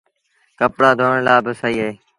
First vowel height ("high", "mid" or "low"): mid